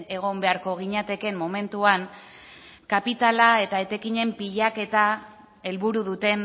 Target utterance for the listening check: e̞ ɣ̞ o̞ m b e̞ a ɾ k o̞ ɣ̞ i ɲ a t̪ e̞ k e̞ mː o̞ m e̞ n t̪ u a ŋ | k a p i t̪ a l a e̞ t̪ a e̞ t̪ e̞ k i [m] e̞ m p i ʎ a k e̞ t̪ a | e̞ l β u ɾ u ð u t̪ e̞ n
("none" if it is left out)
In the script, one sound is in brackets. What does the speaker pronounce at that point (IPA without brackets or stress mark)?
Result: ɲ